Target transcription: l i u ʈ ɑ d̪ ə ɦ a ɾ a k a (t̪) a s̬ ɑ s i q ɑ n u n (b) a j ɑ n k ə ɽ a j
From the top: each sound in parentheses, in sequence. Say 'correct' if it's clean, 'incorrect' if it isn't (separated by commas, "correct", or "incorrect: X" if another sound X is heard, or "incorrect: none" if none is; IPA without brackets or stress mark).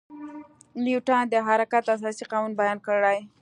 correct, correct